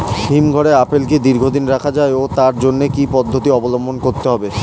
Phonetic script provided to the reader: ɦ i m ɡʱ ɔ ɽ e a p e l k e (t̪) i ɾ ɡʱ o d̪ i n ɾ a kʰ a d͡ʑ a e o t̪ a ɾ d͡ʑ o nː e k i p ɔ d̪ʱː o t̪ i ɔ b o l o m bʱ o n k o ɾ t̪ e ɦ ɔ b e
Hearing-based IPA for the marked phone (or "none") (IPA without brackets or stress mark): d̪